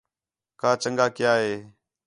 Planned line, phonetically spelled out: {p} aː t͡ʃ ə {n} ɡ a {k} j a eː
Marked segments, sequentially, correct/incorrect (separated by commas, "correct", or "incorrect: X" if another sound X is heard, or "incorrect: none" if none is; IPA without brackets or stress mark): incorrect: k, incorrect: ŋ, correct